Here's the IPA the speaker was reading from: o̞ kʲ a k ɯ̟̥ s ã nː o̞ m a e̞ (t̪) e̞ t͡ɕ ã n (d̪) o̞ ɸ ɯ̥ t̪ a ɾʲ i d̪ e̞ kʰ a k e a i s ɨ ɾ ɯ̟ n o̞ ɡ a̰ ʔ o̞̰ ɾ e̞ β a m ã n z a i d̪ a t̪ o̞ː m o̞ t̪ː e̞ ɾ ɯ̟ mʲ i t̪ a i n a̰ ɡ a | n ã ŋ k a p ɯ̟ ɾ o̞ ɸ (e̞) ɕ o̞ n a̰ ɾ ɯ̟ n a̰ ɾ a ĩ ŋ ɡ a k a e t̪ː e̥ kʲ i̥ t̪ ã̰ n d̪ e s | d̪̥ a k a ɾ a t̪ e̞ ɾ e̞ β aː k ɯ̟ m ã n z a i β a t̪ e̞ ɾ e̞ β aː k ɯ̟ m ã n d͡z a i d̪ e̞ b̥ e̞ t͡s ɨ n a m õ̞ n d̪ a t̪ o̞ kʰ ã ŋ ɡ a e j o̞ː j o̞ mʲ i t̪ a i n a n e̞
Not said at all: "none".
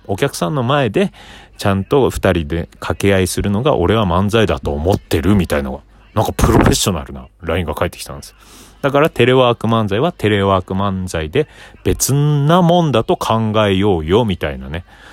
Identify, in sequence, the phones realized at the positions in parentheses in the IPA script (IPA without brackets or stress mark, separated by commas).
d̪, t̪, e̞